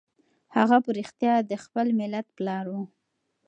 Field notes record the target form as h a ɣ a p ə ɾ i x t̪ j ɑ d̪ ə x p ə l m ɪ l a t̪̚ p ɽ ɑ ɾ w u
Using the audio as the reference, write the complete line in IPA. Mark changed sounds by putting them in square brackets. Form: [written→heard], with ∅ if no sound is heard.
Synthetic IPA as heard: h a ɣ a p ə ɾ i x t̪ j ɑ d̪ ə x p ə l m ɪ l a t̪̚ p [ɽ→l] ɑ ɾ w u